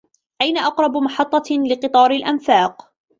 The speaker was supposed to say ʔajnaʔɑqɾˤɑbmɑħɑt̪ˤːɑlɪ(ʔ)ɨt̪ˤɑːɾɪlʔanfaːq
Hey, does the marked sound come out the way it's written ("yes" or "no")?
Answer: no